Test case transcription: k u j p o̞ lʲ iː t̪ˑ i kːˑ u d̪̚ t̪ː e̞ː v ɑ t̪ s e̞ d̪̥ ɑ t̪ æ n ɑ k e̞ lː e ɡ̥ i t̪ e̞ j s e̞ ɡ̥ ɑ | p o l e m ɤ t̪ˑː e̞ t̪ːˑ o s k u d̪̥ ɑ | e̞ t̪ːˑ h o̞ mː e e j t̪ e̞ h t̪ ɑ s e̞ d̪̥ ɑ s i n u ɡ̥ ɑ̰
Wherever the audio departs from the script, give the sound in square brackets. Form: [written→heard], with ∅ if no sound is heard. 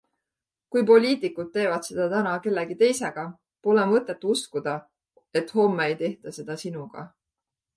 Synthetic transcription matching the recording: k u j p o̞ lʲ iː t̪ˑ i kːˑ u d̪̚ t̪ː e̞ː v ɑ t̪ s e̞ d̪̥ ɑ t̪ æ n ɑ k e̞ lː e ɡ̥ i t̪ e̞ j s e̞ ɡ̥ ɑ | p o l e m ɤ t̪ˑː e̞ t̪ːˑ [o→u] s k u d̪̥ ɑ | e̞ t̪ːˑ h o̞ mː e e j t̪ e̞ h t̪ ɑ s e̞ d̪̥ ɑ s i n u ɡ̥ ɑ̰